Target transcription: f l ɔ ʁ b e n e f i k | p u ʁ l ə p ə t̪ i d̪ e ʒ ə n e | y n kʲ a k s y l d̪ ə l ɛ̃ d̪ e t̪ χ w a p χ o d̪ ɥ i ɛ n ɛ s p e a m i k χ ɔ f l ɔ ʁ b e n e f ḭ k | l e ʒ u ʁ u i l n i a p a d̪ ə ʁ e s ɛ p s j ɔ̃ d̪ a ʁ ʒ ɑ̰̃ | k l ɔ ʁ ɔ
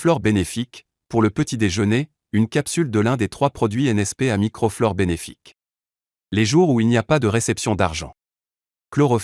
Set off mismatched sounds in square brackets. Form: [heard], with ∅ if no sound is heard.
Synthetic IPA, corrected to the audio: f l ɔ ʁ b e n e f i k | p u ʁ l ə p ə t̪ i d̪ e ʒ ə n e | y n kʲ a [p] s y l d̪ ə l ɛ̃ d̪ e t̪ χ w a p χ [ɔ] d̪ ɥ i ɛ n ɛ s p e a m i k χ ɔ f l ɔ ʁ b e n e f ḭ k | l e ʒ u ʁ u i l n i a p a d̪ ə ʁ e s ɛ p s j ɔ̃ d̪ a ʁ ʒ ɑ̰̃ | k l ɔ ʁ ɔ